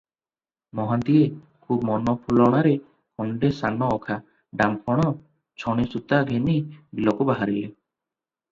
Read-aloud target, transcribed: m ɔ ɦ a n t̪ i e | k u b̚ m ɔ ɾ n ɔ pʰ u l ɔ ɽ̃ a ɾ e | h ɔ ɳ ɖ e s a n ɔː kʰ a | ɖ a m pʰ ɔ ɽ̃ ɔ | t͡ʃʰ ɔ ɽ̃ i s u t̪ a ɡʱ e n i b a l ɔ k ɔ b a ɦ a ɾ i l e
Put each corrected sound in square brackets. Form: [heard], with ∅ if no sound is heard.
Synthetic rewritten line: m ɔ ɦ a n t̪ i e | [kʰ] u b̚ m ɔ [∅] n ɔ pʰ u l ɔ ɽ̃ a ɾ e | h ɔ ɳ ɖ e s a n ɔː kʰ a | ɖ a m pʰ ɔ ɽ̃ ɔ | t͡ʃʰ ɔ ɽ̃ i s u t̪ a ɡʱ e n i b [i] l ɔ k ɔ b a ɦ a ɾ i l e